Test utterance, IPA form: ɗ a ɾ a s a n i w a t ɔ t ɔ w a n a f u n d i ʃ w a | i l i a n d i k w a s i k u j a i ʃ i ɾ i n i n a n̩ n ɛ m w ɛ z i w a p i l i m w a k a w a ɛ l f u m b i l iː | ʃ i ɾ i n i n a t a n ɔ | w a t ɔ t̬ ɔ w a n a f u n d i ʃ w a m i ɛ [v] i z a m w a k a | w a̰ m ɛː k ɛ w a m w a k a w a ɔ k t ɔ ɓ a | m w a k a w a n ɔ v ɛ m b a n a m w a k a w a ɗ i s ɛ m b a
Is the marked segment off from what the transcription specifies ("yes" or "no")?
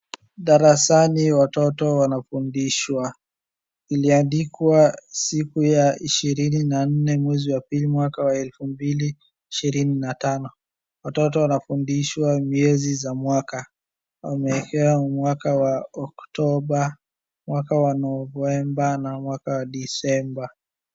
yes